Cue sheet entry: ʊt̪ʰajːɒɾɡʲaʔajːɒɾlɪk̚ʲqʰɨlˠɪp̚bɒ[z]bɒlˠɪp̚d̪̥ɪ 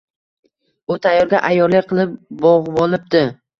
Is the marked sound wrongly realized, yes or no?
yes